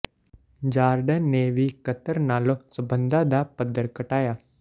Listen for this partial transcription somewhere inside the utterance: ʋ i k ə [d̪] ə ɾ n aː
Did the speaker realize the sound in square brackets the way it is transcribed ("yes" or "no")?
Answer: no